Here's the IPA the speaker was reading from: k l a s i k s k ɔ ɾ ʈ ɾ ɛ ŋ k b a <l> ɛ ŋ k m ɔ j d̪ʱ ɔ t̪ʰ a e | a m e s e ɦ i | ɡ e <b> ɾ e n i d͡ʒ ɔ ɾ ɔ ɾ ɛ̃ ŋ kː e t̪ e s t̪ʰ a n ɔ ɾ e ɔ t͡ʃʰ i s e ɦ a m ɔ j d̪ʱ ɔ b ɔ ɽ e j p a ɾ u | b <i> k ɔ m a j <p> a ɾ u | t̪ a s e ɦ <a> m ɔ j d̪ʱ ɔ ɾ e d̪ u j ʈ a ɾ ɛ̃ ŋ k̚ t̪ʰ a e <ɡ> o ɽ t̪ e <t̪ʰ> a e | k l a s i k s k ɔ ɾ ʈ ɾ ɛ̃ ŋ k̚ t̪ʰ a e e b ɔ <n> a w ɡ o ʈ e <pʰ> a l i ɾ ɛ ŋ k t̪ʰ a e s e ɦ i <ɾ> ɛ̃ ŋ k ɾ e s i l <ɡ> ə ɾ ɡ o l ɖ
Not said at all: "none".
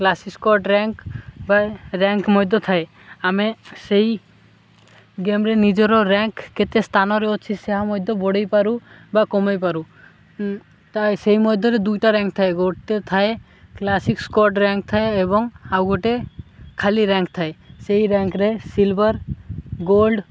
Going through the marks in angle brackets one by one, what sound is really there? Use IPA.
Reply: ɾ, m, a, p, i, ɡ, t̪ʰ, ŋ, kʰ, ɾ, b

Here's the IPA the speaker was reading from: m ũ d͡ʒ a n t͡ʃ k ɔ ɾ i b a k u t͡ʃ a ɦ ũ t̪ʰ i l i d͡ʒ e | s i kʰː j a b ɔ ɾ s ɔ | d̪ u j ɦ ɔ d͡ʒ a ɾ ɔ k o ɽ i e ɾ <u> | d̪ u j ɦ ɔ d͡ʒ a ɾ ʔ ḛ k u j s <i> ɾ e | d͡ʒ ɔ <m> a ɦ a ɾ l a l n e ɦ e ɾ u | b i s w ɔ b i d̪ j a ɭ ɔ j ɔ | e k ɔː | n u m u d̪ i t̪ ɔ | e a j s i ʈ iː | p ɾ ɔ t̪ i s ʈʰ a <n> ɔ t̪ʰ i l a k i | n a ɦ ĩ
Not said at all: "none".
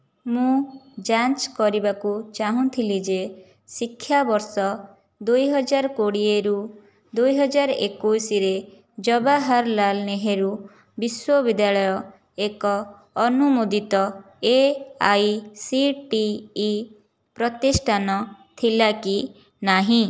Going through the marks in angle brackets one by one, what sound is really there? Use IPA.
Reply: u, i, b, n

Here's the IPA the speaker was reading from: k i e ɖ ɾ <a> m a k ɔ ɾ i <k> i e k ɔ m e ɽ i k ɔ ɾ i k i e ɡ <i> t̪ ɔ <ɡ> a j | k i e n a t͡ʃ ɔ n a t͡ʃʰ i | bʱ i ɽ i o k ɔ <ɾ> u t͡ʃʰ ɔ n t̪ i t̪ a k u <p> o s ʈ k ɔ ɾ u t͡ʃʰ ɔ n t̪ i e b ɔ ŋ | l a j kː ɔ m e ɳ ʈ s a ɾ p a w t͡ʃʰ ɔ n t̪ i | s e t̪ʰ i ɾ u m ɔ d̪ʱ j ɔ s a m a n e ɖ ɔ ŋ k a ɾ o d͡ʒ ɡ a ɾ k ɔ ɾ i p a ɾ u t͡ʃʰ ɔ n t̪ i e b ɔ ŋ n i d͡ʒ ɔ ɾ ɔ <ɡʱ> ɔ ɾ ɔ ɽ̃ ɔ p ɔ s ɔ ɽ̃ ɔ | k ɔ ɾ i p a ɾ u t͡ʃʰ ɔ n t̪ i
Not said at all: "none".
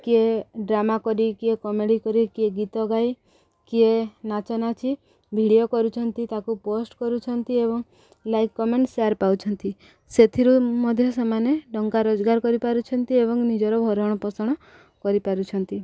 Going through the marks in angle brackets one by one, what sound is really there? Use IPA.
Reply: a, k, i, ɡ, ɾ, p, bʱ

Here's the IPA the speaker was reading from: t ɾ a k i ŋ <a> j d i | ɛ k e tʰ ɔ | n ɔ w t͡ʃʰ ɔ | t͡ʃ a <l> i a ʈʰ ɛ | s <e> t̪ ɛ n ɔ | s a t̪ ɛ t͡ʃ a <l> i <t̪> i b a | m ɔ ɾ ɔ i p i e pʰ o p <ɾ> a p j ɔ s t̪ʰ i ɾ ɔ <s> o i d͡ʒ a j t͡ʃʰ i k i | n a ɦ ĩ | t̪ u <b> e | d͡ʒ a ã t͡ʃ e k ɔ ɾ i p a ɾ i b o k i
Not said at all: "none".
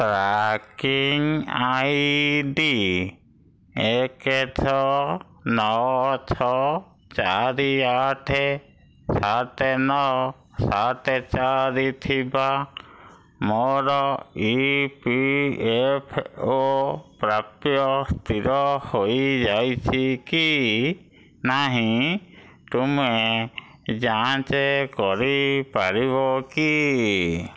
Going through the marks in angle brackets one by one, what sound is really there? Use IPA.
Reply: a, ɾ, a, ɾ, t̪ʰ, ɾ, h, m

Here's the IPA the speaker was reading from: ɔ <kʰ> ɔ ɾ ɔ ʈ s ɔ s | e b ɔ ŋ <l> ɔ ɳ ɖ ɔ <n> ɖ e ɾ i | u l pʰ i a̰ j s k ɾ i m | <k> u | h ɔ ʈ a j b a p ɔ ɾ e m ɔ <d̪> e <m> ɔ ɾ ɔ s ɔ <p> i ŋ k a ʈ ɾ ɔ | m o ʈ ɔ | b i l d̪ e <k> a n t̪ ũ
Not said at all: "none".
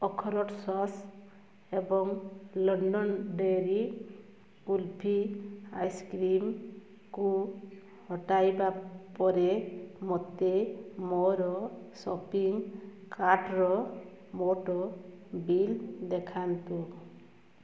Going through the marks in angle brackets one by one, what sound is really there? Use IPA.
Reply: kʰ, l, n, k, t̪, m, p, kʰ

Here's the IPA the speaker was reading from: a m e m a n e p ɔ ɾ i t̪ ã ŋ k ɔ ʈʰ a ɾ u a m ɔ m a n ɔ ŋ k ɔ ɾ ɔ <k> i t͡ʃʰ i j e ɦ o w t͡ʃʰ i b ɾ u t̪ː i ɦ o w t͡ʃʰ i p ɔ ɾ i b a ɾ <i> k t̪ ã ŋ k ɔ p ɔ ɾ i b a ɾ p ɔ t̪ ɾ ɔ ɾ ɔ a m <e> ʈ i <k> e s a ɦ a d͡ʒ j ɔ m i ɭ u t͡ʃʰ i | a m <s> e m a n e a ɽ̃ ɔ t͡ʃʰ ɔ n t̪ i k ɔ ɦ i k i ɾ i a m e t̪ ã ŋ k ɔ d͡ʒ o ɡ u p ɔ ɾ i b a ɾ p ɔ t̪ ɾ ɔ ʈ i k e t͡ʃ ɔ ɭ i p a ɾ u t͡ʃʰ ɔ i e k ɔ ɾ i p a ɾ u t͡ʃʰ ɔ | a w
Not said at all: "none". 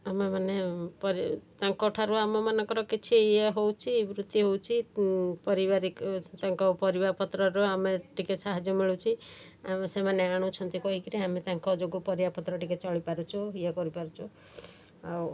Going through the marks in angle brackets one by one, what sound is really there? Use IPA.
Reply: k, i, e, k, s

